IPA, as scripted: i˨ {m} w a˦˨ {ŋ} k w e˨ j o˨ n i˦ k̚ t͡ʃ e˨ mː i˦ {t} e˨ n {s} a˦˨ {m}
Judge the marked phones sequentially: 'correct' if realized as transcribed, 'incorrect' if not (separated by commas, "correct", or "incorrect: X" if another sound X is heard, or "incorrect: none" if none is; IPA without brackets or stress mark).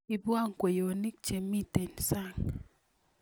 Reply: incorrect: b, correct, correct, correct, incorrect: ŋ